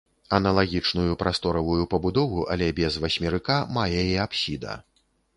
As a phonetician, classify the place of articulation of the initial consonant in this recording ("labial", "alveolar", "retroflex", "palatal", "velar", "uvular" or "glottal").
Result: alveolar